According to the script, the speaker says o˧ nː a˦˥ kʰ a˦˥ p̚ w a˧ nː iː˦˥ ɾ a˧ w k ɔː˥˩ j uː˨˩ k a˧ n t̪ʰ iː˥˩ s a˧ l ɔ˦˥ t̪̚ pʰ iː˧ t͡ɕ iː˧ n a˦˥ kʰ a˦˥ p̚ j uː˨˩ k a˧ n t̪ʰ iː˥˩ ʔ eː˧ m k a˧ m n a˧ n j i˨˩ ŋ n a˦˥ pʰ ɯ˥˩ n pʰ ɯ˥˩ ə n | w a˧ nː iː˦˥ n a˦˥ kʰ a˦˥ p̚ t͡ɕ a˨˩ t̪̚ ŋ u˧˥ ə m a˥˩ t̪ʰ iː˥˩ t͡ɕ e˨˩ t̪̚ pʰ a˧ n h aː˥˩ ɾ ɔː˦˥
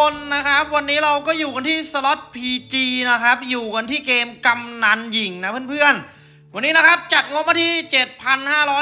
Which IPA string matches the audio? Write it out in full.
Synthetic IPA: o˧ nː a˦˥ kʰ a˦˥ p̚ w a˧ nː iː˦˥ ɾ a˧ w k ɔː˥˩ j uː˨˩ k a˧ n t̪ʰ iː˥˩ s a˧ l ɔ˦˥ t̪̚ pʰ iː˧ t͡ɕ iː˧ n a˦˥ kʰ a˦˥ p̚ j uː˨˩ k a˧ n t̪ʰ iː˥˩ k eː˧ m k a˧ m n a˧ n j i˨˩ ŋ n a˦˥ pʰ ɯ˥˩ n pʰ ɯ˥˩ ə n | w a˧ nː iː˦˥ n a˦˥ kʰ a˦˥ p̚ t͡ɕ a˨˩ t̪̚ ŋ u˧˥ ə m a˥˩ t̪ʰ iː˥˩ t͡ɕ e˨˩ t̪̚ pʰ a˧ n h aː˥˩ ɾ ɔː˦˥

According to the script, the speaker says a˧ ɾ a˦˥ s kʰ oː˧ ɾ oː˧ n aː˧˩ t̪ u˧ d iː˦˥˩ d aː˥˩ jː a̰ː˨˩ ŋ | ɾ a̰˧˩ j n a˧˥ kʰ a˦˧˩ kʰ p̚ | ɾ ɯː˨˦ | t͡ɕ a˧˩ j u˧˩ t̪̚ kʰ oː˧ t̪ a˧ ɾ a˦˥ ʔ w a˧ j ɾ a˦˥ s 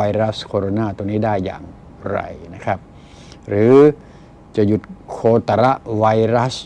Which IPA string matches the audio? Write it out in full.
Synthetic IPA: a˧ ɾ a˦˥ s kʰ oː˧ ɾ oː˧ n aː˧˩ t̪ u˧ n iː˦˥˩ d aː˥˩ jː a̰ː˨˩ ŋ | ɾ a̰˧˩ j n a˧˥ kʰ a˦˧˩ p̚ | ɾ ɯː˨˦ | t͡ɕ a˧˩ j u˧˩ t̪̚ kʰ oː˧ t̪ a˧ ɾ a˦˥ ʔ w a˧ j ɾ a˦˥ s

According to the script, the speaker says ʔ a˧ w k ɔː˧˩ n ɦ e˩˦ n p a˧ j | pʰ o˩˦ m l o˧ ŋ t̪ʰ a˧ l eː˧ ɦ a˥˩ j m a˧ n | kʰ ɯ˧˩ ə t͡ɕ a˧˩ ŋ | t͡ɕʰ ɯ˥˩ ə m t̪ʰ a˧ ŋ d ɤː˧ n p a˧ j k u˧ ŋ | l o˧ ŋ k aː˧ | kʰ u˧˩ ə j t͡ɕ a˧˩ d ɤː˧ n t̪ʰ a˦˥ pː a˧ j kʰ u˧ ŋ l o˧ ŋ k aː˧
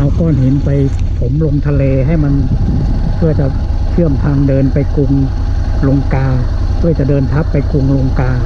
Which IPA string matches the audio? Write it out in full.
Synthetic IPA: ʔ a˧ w k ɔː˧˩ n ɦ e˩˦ n p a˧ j | pʰ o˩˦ m l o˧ ŋ t̪ʰ a˧ l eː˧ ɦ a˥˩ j m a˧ n | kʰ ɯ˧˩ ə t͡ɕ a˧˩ | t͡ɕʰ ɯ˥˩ ə m t̪ʰ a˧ ŋ d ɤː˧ n p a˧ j k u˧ ŋ | l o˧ ŋ k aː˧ | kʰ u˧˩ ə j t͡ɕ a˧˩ d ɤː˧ n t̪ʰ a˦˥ pː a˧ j k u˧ ŋ l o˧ ŋ k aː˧

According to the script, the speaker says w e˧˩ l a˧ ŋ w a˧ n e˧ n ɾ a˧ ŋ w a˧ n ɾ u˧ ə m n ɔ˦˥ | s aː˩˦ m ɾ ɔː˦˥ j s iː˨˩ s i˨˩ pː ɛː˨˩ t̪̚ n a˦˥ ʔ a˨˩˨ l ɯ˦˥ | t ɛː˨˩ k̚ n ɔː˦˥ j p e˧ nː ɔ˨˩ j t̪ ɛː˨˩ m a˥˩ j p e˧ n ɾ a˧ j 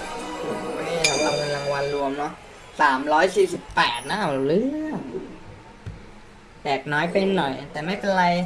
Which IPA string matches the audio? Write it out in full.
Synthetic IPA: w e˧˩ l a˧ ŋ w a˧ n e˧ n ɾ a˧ ŋ w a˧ n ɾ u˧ ə m n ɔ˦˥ | s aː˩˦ m ɾ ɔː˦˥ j s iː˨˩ s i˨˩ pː ɛː˨˩ t̪̚ n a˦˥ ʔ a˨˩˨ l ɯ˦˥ | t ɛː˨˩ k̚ n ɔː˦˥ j p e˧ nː ɔ˨˩ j t̪ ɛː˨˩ m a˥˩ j p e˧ n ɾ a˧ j

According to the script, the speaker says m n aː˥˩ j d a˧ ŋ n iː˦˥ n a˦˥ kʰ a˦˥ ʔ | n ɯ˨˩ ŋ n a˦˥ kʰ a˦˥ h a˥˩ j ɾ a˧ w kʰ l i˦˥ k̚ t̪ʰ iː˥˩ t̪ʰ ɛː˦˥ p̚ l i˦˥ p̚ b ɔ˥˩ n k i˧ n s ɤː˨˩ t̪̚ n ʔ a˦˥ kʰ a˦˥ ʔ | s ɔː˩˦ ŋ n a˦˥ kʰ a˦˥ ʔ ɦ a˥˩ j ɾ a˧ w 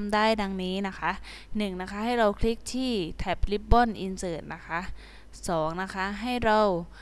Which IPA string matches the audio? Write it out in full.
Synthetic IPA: m d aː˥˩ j d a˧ ŋ n iː˦˥ n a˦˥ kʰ a˦˥ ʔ | n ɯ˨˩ ŋ n a˦˥ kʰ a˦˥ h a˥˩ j ɾ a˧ w kʰ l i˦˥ k̚ t̪ʰ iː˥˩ t̪ʰ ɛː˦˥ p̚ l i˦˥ p̚ b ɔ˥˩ n ʔ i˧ n s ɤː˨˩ t̪̚ n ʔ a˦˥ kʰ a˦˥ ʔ | s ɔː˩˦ ŋ n a˦˥ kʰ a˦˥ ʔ ɦ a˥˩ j ɾ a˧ w

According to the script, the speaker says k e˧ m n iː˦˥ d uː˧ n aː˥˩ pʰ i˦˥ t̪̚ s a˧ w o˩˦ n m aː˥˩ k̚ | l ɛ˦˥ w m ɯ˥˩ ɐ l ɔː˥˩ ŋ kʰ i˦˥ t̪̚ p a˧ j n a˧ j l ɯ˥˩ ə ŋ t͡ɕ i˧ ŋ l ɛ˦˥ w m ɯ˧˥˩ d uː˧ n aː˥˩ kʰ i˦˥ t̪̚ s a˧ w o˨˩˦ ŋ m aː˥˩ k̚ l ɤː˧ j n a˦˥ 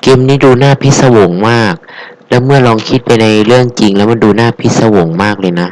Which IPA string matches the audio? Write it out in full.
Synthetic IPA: k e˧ m n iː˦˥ d uː˧ n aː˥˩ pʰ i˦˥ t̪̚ s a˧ w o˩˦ ŋ m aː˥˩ k̚ | l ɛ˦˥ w m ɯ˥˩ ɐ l ɔː˧ ŋ kʰ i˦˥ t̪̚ p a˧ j n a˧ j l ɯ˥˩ ə ŋ t͡ɕ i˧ ŋ l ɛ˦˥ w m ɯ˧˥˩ d uː˧ n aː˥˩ pʰ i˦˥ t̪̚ s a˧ w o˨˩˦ ŋ m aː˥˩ k̚ l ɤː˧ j n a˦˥

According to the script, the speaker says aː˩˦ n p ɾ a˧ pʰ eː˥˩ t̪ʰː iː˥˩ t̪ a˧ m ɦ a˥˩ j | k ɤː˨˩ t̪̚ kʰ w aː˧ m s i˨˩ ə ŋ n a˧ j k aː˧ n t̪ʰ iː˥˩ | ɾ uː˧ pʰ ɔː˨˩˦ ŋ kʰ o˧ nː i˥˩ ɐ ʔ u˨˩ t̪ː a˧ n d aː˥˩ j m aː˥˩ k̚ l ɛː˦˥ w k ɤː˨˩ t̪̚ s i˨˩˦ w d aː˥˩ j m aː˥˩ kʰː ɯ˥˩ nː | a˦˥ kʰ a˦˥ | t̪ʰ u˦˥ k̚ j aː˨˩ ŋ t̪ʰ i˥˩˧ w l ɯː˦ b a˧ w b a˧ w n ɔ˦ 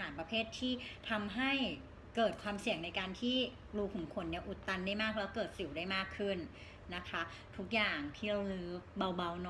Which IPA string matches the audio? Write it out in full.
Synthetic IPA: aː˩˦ n p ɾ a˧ pʰ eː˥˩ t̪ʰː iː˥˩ t̪ʰ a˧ m ɦ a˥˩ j | k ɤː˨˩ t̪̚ kʰ w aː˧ m s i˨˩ ə ŋ n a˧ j k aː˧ n t̪ʰ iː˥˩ | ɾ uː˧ kʰ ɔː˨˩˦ ŋ kʰ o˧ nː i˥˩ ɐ ʔ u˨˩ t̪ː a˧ n d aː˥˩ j m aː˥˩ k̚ l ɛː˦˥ w k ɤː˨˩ t̪̚ s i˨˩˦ w d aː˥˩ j m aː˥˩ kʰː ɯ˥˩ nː | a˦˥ kʰ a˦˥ | t̪ʰ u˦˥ k̚ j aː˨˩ ŋ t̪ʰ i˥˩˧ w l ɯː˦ b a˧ w b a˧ w n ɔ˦

